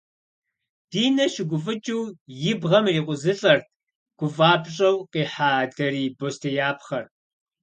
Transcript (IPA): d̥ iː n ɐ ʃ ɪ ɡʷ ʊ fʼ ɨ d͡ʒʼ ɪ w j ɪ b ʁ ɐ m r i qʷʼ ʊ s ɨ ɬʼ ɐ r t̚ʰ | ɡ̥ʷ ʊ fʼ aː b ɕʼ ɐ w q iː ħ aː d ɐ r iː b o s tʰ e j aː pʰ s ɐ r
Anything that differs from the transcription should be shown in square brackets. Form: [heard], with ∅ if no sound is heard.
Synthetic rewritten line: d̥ iː n ɐ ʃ ɪ ɡʷ ʊ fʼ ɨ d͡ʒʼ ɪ w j ɪ b ʁ ɐ m r [iː] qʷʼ ʊ [z] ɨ ɬʼ ɐ r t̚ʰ | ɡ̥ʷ ʊ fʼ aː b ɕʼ ɐ w q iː ħ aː d ɐ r iː b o s tʰ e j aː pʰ [χ] ɐ r

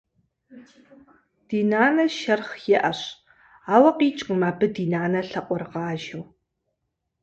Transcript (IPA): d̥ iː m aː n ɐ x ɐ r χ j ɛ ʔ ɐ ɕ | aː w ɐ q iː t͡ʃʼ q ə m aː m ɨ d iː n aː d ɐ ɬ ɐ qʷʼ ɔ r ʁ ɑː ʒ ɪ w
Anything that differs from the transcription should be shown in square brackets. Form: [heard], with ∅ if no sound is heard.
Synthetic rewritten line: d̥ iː [n] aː n ɐ [ʃ] ɐ r χ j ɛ ʔ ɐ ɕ | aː w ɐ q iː t͡ʃʼ q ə m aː [b] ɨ d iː n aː [n] ɐ ɬ ɐ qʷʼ ɔ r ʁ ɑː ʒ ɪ w

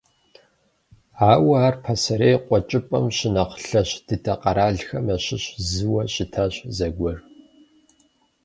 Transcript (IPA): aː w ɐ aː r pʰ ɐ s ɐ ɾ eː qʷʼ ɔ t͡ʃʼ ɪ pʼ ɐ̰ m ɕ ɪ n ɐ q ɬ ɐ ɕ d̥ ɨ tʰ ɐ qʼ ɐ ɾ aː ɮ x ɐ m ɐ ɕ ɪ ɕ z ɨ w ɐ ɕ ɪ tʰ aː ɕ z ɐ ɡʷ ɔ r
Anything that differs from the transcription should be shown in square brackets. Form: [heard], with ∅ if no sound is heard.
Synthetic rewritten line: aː w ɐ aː r pʰ ɐ s ɐ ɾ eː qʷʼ ɔ t͡ʃʼ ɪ pʼ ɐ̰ m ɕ ɪ n ɐ q ɬ ɐ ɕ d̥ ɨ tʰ ɐ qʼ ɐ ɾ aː ɮ x ɐ m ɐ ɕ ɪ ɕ z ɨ w ɐ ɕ ɪ tʰ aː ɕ z ɐ ɡʷ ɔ r

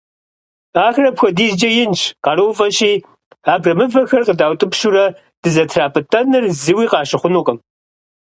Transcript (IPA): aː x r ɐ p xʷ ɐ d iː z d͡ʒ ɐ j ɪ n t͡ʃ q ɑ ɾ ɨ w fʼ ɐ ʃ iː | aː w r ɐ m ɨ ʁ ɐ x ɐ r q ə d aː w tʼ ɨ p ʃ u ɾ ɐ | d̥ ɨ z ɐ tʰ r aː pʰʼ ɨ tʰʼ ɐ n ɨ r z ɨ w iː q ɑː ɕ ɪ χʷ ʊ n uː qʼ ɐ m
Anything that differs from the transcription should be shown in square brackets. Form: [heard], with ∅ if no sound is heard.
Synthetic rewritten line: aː x r ɐ p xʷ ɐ d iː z d͡ʒ ɐ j ɪ n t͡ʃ q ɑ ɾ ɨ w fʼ ɐ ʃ iː | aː [b] r ɐ m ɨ [v] ɐ x ɐ r q ə d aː w tʼ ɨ p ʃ u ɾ ɐ | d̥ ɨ z ɐ tʰ r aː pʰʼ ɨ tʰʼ ɐ n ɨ r z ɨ w iː q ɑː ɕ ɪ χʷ ʊ n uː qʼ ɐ m

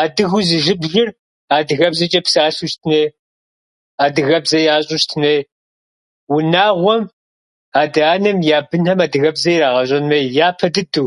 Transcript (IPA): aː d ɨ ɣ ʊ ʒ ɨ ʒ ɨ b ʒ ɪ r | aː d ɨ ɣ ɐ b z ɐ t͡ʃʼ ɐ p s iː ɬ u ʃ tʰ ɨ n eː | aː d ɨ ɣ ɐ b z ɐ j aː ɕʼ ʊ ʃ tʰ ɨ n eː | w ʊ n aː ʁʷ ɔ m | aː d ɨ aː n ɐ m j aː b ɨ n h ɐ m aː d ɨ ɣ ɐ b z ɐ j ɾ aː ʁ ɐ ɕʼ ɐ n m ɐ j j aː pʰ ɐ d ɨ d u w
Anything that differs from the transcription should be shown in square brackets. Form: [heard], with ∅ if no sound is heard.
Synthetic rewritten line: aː d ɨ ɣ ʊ [z] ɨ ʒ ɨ b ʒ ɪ r | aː d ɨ ɣ ɐ b z ɐ t͡ʃʼ ɐ p s [aː] ɬ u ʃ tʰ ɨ n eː | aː d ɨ ɣ ɐ b z ɐ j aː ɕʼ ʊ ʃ tʰ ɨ n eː | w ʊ n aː ʁʷ ɔ m | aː d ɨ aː n ɐ m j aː b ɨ n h ɐ m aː d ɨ ɣ ɐ b z ɐ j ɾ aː ʁ ɐ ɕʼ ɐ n m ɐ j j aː pʰ ɐ d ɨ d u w

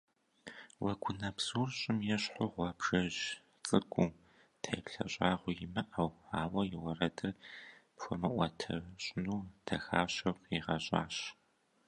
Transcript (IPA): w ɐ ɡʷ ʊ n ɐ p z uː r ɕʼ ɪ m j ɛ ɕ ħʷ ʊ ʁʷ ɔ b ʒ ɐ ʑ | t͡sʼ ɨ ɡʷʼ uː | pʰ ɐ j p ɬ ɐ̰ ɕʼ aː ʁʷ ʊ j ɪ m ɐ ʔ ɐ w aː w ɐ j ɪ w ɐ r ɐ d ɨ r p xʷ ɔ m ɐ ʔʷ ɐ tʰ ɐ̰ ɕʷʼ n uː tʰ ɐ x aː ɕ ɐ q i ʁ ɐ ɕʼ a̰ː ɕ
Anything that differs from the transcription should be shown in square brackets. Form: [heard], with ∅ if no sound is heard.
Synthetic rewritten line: w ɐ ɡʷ ʊ n ɐ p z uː r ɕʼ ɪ m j ɛ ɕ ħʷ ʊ ʁʷ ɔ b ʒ ɐ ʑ | t͡sʼ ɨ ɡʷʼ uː | [tʰ] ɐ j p ɬ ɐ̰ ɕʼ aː ʁʷ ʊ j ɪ m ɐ ʔ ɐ w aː w ɐ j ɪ w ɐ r ɐ d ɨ r p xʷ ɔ m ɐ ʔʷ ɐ tʰ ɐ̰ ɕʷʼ n uː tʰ ɐ x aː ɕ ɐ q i ʁ ɐ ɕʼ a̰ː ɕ

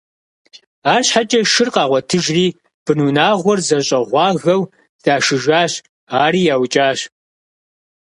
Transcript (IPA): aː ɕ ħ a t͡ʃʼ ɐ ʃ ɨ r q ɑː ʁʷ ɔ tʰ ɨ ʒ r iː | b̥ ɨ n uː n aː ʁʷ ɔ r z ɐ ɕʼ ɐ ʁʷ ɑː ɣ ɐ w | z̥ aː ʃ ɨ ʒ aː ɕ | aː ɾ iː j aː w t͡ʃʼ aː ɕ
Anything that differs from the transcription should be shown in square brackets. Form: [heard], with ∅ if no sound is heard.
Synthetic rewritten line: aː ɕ ħ a t͡ʃʼ ɐ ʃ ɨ r q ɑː ʁʷ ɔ tʰ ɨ ʒ r iː | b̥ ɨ n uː n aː ʁʷ ɔ r z ɐ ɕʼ ɐ ʁʷ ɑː ɣ ɐ w | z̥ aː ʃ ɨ ʒ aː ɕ | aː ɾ iː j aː w t͡ʃʼ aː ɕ

